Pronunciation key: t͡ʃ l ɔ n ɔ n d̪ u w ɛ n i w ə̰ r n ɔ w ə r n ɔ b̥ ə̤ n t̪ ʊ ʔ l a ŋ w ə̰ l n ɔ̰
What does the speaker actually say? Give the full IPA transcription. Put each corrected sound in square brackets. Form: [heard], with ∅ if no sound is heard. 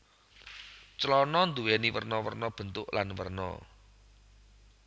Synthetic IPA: t͡ʃ l ɔ n ɔ n d̪ u w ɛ n i w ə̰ r n ɔ w ə r n ɔ b̥ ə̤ n t̪ ʊ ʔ l a [n] w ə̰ [r] n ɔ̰